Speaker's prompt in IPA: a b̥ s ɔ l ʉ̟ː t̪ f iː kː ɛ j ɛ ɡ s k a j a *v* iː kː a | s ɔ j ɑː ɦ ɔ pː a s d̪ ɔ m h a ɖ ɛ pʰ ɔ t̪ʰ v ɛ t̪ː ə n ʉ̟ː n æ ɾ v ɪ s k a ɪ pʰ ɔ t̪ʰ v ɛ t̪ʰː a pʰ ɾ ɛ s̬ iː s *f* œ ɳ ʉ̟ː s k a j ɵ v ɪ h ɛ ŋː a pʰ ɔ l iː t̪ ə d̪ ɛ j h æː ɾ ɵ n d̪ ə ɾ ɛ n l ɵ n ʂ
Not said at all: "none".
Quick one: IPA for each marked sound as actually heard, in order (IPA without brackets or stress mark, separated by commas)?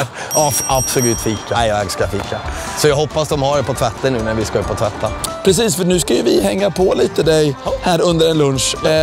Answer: f, f